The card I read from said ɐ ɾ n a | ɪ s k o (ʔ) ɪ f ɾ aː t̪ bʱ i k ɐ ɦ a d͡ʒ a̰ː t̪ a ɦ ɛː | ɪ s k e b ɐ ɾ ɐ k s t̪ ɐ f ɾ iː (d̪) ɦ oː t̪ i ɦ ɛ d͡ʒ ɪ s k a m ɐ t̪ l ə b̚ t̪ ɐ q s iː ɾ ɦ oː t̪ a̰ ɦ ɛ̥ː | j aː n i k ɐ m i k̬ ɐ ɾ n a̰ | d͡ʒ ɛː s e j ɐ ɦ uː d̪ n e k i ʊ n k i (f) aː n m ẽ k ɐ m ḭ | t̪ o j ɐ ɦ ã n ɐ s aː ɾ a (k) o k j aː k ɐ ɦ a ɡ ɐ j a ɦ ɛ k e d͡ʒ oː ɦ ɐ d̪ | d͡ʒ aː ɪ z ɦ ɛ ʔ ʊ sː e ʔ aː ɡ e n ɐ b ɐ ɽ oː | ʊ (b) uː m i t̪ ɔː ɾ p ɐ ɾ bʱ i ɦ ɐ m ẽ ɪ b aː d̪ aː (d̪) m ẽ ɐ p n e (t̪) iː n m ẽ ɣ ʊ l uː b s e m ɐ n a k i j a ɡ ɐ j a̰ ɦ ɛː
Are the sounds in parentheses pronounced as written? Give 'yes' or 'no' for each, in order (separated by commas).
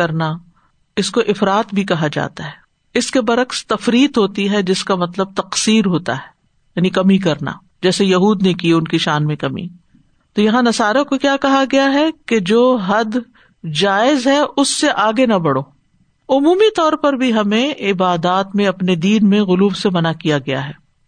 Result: yes, no, no, yes, no, no, no